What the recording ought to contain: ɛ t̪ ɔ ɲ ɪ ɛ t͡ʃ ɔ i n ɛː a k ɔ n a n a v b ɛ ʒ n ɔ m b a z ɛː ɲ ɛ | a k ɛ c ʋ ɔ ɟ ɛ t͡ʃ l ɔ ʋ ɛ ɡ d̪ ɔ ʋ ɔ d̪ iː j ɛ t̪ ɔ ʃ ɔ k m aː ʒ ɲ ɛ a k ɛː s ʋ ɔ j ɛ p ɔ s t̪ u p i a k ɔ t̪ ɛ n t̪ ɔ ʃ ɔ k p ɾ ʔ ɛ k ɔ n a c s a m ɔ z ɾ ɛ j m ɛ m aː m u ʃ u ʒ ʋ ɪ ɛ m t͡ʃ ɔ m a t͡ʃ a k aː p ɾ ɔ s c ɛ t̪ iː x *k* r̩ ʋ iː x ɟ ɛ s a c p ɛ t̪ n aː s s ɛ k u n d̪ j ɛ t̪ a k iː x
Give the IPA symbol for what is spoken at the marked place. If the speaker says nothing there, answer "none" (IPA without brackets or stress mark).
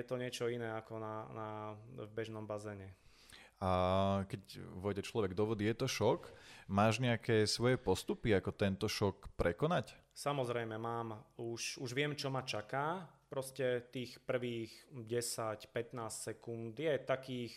p